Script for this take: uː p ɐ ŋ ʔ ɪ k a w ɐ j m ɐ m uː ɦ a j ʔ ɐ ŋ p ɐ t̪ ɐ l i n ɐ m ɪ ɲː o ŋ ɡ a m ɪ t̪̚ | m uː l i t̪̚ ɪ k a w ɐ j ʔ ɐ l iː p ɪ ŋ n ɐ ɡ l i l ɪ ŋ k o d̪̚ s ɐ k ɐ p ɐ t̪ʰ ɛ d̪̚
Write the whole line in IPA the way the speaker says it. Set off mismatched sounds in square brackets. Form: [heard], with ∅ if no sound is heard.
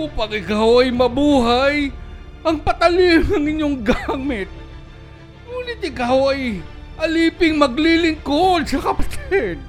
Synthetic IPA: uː p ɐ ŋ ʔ ɪ k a w ɐ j m ɐ [b] uː ɦ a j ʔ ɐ ŋ p ɐ t̪ ɐ l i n ɐ [ŋ] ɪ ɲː o ŋ ɡ a m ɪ t̪̚ | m uː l [ɪ] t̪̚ ɪ k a w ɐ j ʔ ɐ l iː p ɪ ŋ [m] ɐ ɡ l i l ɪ ŋ k o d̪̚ s ɐ k ɐ p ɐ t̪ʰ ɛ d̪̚